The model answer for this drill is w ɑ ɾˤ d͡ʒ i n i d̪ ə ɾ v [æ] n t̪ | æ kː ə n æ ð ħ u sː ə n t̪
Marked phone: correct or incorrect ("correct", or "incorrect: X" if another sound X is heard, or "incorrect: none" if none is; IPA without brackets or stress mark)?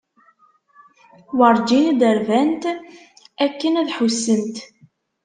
correct